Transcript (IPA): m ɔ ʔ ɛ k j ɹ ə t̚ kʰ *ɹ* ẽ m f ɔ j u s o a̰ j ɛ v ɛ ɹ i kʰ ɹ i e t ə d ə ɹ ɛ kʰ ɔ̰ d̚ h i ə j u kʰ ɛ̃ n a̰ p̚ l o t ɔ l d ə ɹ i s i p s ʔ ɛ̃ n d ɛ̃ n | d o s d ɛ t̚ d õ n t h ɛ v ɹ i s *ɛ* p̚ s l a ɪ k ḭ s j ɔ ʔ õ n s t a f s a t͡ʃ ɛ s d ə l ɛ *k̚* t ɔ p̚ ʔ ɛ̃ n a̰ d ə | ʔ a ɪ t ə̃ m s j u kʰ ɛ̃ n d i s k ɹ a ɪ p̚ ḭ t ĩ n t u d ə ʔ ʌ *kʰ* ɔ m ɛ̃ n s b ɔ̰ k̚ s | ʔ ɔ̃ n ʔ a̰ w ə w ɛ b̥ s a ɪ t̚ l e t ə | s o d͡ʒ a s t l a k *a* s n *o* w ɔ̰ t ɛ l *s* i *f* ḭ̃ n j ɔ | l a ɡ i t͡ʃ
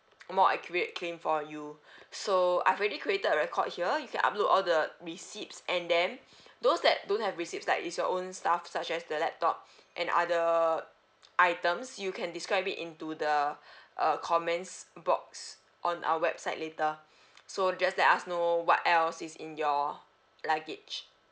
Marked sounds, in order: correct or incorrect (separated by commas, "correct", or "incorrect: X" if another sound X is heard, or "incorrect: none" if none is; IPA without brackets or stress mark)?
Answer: incorrect: l, incorrect: i, incorrect: p̚, correct, correct, correct, correct, incorrect: s